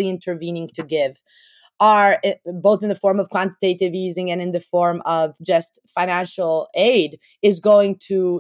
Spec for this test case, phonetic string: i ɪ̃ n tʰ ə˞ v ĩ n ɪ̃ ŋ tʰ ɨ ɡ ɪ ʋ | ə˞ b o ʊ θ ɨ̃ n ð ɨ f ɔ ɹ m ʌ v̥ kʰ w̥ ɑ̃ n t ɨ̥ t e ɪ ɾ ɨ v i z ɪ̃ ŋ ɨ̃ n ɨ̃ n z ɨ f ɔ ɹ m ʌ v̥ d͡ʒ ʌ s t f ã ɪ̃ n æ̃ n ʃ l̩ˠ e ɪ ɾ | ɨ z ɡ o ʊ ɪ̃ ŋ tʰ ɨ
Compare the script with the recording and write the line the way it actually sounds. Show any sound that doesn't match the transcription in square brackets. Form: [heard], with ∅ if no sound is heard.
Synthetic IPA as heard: i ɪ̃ n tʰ ə˞ v ĩ n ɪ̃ ŋ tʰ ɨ ɡ ɪ [v] | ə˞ b o ʊ θ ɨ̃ n ð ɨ f ɔ ɹ m ʌ v̥ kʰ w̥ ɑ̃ n t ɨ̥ t e ɪ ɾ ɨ v i z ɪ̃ ŋ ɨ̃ n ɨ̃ n [ð] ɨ f ɔ ɹ m ʌ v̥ d͡ʒ ʌ s t f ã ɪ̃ n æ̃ n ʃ l̩ˠ e ɪ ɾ | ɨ z ɡ o ʊ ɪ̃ ŋ tʰ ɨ